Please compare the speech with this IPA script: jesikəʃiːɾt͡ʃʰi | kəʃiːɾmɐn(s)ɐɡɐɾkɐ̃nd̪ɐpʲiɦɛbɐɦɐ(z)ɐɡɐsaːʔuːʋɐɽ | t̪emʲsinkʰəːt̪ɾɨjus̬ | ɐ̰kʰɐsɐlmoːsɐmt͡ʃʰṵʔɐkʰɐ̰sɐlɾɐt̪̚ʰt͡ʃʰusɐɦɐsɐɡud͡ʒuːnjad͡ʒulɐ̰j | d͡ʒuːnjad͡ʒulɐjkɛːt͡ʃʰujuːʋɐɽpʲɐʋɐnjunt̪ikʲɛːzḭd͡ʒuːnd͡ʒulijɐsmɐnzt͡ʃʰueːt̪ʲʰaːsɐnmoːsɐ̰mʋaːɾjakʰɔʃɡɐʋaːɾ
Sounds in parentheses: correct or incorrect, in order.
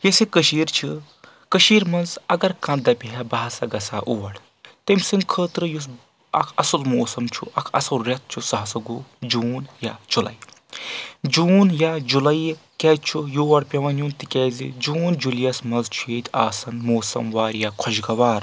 incorrect: z, incorrect: s

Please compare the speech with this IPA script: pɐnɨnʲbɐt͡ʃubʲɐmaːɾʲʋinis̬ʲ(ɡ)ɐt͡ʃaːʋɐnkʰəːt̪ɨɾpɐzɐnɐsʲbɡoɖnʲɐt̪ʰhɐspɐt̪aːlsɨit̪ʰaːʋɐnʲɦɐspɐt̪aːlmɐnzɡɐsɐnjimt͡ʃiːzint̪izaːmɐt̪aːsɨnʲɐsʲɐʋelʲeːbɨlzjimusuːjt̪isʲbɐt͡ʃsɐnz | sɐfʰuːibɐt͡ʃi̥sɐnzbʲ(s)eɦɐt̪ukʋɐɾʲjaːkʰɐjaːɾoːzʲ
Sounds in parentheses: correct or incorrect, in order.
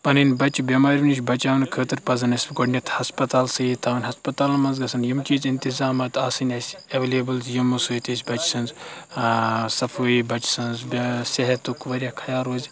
incorrect: b, correct

